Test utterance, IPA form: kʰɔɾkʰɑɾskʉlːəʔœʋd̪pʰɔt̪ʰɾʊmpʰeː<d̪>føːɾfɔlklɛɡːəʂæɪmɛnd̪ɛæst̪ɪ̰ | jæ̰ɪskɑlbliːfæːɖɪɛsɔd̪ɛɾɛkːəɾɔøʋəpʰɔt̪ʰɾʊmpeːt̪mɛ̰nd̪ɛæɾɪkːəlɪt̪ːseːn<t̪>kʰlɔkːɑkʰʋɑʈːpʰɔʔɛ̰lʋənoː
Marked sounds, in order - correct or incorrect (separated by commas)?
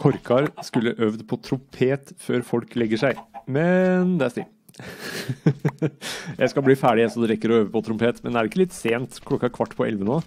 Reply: incorrect, correct